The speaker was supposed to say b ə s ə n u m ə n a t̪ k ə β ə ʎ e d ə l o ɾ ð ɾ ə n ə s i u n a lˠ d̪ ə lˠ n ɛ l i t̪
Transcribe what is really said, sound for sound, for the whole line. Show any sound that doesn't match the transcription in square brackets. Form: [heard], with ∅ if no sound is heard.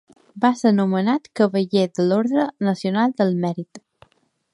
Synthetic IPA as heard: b [a] s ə n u m ə n a t̪ k ə β ə ʎ e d ə l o ɾ ð ɾ ə n ə s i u n a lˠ d̪ ə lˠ [m] ɛ [ɾ] i t̪

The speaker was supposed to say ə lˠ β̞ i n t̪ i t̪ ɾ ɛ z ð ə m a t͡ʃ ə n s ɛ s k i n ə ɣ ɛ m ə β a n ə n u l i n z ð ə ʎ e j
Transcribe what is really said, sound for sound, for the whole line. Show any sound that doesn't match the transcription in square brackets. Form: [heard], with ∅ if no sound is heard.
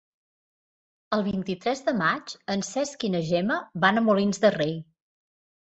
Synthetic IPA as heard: ə lˠ β̞ i n t̪ i t̪ ɾ ɛ z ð ə m a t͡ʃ ə n s ɛ s k i n ə [ʒ] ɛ m ə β a n ə [m] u l i n z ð ə [r] e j

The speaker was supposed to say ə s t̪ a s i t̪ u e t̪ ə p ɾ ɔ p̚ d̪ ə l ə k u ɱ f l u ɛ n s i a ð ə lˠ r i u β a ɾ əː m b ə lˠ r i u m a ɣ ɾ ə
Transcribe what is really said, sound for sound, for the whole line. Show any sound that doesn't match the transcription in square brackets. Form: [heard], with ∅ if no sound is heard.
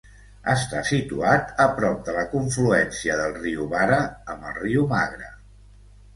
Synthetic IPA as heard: ə s t̪ a s i t̪ u [a] t̪ ə p ɾ ɔ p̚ d̪ ə l ə k u ɱ f l u ɛ n s i [ə] ð ə lˠ r i u β a ɾ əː m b ə lˠ r i u m a ɣ ɾ ə

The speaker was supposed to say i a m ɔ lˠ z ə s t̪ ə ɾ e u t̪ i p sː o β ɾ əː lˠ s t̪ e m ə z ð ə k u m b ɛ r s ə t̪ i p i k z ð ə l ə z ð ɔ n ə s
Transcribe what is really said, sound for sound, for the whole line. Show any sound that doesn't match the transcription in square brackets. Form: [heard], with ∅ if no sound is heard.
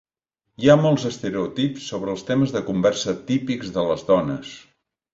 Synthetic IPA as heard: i a m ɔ lˠ z ə s t̪ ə ɾ e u t̪ i p sː o β ɾ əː lˠ s t̪ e m ə z ð ə k u m b ɛ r s ə t̪ i p i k z ð ə l ə z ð ɔ n ə s

